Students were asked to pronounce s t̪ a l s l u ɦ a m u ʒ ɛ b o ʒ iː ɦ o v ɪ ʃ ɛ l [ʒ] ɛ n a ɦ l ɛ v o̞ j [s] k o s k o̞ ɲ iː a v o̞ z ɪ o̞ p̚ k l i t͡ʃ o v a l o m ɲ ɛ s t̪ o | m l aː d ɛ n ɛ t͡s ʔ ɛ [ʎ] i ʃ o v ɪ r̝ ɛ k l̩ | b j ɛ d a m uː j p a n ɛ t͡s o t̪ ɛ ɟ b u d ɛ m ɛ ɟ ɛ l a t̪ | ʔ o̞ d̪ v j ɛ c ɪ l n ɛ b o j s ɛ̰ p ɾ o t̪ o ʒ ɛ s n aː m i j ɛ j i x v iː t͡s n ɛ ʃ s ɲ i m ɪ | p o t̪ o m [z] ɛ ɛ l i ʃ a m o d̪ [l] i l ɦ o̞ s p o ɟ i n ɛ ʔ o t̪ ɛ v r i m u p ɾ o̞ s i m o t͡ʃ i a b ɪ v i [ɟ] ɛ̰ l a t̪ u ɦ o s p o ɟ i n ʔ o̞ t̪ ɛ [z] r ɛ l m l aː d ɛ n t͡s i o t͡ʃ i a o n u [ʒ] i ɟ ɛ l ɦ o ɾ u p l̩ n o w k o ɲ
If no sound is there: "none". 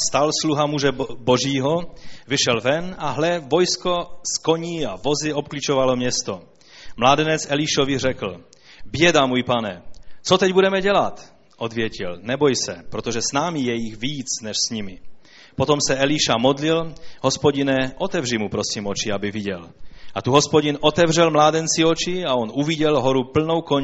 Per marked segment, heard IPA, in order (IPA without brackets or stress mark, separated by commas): v, s, l, s, l, ɟ, v, v